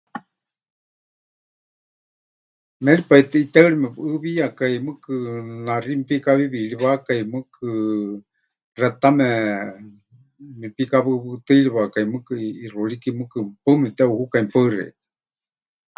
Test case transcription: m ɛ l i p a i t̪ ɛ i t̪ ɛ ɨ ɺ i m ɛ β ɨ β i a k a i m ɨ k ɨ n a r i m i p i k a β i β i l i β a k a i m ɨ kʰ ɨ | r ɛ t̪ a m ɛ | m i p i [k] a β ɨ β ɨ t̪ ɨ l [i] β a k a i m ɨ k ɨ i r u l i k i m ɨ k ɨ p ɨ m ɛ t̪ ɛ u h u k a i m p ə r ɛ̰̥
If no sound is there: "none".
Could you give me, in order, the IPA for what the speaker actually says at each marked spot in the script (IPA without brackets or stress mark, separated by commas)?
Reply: k, i